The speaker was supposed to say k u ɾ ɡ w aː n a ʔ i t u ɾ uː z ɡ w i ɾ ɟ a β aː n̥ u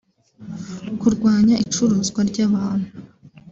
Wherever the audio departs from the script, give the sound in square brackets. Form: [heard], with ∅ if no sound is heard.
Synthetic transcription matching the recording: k u ɾ ɡ w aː [ɲ] a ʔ i [t͡ʃ] u ɾ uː z ɡ w [a] ɾ ɟ a β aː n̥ u